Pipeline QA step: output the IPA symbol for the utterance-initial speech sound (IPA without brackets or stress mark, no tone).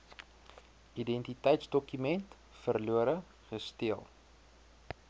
i